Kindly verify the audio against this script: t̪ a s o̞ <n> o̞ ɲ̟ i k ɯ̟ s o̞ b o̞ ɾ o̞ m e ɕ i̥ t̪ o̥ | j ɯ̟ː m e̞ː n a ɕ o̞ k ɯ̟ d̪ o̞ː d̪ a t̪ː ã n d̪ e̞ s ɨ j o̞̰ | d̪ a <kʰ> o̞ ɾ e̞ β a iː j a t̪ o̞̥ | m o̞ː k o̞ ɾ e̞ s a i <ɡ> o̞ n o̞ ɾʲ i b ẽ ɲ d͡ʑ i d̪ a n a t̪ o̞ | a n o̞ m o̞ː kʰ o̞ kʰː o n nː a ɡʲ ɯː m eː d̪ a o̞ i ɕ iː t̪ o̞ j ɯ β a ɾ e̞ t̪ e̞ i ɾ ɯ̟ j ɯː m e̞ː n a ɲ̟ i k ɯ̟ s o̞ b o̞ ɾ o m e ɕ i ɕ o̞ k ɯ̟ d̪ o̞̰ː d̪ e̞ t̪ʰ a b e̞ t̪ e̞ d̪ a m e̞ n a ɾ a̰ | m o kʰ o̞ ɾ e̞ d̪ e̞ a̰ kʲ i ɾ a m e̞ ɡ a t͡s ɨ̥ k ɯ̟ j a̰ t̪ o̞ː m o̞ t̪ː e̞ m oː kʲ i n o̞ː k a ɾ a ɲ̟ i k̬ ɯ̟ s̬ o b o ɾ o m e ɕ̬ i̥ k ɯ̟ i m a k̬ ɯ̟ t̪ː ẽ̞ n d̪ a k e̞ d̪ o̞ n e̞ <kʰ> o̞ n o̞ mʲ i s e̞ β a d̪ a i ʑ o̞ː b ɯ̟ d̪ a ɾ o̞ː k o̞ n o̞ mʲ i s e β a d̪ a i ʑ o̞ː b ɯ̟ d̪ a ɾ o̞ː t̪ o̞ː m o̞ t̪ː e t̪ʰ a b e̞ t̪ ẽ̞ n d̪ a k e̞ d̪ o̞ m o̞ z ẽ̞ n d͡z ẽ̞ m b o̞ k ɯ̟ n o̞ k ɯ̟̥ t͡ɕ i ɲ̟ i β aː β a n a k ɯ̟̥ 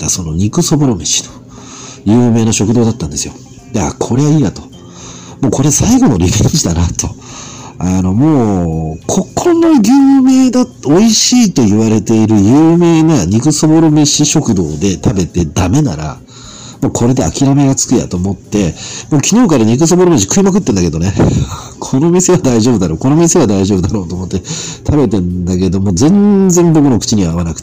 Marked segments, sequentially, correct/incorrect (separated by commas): correct, correct, correct, correct